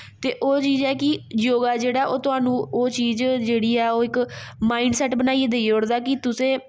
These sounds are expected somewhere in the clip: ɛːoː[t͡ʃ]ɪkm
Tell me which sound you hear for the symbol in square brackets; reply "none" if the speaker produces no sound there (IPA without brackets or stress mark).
none